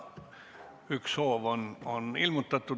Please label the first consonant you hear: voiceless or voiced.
voiceless